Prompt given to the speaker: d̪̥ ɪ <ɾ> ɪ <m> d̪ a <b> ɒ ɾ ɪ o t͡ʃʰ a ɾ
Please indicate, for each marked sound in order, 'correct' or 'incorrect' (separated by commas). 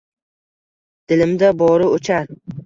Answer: incorrect, correct, correct